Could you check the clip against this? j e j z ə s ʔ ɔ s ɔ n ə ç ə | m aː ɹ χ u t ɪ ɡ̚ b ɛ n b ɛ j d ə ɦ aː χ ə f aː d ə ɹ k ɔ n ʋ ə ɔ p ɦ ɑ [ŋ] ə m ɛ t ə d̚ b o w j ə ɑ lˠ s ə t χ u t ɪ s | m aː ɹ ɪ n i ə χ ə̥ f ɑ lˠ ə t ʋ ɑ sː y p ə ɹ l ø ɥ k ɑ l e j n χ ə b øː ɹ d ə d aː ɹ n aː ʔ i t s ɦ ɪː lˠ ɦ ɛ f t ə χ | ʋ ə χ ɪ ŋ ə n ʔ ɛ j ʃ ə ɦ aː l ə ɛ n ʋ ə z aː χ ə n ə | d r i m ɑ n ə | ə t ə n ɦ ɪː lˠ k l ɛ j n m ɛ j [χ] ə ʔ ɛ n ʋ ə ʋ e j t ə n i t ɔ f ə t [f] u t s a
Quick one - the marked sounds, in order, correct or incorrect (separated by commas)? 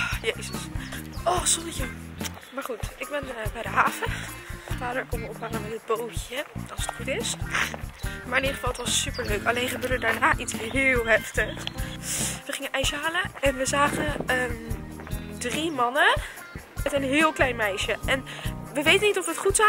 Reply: correct, incorrect, incorrect